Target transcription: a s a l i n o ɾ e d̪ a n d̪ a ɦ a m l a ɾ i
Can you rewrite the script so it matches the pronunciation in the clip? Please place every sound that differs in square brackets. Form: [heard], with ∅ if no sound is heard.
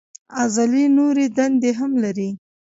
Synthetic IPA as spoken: a [z] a l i n o ɾ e d̪ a n d̪ [e] ɦ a m l a ɾ i